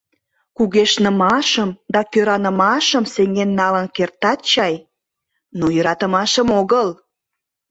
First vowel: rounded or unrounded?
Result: rounded